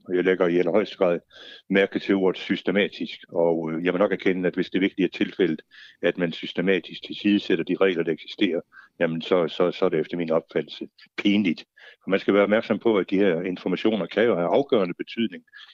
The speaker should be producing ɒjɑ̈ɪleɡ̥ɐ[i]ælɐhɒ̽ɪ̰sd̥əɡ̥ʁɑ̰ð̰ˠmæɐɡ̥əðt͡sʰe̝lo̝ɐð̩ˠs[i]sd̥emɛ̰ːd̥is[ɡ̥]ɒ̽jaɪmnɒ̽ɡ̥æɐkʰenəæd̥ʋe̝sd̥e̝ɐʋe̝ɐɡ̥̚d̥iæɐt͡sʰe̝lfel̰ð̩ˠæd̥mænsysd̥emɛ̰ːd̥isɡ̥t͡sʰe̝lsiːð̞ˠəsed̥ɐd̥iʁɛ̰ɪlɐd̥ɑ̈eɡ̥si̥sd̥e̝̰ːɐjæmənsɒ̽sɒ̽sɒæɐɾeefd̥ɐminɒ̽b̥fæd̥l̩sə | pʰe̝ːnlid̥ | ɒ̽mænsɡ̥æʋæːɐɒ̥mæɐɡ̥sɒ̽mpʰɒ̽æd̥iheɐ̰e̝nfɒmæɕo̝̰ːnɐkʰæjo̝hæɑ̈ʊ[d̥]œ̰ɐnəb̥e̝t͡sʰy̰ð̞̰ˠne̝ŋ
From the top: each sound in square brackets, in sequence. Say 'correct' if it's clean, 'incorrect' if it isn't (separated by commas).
correct, incorrect, correct, incorrect